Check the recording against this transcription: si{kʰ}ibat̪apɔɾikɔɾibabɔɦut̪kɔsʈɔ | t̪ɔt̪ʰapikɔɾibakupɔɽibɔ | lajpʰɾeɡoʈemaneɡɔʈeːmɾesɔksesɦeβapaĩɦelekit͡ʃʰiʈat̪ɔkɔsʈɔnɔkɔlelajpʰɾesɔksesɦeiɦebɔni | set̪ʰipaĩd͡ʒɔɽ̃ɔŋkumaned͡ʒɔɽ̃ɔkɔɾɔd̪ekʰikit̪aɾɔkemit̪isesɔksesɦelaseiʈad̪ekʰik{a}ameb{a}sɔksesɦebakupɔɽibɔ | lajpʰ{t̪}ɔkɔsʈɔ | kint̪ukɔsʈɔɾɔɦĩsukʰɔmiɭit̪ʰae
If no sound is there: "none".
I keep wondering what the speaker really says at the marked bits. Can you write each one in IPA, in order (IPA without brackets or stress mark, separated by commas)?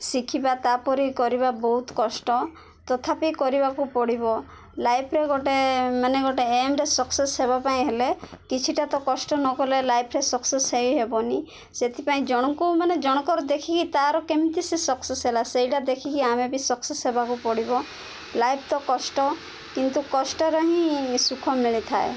kʰ, i, i, t̪